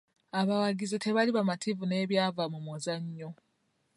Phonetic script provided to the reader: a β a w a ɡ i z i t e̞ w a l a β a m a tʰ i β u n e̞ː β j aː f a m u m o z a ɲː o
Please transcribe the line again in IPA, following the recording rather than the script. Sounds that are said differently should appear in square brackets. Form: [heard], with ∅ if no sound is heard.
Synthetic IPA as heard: a β a w a ɡ i z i t e̞ [β] a l [i] β a m a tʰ i [v] u n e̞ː β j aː [v] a m u m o z a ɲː o